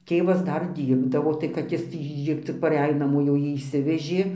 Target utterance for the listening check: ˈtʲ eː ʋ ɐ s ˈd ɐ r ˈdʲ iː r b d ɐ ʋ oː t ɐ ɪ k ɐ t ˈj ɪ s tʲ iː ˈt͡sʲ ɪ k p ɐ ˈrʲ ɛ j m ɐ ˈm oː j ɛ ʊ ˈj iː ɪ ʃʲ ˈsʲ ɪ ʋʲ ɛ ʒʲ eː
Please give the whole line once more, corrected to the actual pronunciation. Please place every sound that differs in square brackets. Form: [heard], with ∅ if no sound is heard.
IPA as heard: ˈtʲ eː ʋ ɐ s ˈd ɐ r ˈdʲ iː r b d ɐ ʋ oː t ɐ ɪ k ɐ t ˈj ɪ s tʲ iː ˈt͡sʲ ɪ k p ɐ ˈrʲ ɛ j [n] ɐ ˈm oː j ɛ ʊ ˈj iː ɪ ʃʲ ˈsʲ ɪ ʋʲ ɛ ʒʲ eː